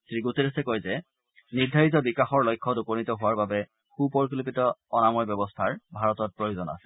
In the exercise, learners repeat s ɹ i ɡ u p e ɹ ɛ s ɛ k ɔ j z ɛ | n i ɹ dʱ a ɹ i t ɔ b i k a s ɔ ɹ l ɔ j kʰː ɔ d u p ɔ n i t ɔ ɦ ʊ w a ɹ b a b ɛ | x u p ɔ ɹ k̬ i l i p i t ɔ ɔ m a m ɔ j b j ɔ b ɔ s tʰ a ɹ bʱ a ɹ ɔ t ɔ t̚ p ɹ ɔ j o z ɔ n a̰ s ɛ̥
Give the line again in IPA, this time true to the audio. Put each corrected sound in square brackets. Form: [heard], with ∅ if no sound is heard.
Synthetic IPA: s ɹ i ɡ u [t] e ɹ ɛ s ɛ k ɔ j z ɛ | n i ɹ dʱ a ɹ i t ɔ b i k a [x] ɔ ɹ l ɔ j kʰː ɔ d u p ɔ n i t ɔ ɦ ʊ w a ɹ b a b ɛ | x u p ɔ ɹ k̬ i l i p i t ɔ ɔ [n] a m ɔ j b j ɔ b ɔ s tʰ a ɹ bʱ a ɹ ɔ t ɔ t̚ p ɹ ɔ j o z ɔ n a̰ s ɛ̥